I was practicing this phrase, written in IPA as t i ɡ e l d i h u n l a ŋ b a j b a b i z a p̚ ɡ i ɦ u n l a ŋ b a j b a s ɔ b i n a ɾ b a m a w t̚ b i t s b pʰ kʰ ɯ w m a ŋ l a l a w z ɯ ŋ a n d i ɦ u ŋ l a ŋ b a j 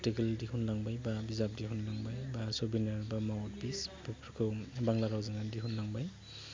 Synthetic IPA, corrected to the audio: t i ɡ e l d i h u n l a ŋ b a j b a b i z a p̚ d i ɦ u n l a ŋ b a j b a s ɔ b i n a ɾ b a m a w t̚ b i s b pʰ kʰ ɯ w b a ŋ l a ɾ a w z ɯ ŋ a n d i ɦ u n l a ŋ b a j